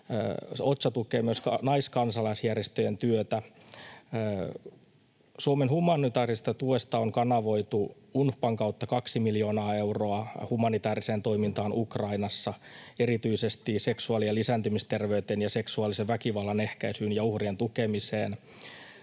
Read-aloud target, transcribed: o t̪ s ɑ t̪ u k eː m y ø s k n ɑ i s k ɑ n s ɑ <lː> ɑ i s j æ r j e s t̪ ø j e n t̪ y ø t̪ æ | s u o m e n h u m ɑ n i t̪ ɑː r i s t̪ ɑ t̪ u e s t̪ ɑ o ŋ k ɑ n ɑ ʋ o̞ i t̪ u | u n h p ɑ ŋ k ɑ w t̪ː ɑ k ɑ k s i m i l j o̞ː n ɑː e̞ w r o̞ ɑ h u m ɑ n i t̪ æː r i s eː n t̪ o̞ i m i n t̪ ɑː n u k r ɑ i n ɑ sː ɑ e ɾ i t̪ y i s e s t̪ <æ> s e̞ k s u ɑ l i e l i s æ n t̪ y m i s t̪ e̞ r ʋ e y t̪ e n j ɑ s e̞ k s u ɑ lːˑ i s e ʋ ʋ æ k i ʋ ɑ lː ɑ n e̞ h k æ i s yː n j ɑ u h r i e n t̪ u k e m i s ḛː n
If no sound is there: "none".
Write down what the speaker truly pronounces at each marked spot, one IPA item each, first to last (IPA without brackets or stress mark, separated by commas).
l, i